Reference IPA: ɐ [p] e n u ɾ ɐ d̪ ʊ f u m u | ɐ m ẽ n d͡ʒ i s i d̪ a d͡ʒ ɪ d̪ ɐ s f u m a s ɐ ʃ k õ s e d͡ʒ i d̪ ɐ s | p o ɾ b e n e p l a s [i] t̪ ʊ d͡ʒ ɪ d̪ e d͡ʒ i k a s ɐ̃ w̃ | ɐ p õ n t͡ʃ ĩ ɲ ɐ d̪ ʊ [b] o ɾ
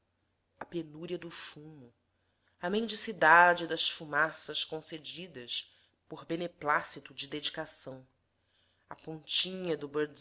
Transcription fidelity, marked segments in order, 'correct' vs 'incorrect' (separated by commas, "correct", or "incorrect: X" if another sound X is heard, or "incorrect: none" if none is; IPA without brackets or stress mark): correct, correct, correct